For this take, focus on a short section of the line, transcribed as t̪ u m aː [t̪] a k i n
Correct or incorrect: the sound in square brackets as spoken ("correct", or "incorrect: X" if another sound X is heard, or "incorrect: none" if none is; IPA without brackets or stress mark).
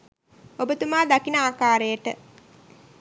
incorrect: d̪